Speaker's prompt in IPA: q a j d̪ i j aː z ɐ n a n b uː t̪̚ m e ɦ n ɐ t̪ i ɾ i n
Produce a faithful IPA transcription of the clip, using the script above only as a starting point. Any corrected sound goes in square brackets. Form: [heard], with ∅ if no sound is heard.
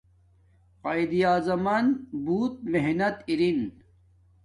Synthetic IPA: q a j d̪ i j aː z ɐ [m] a n b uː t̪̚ m e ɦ n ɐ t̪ i ɾ i n